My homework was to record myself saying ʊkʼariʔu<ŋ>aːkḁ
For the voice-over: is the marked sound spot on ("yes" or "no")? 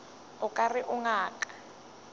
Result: yes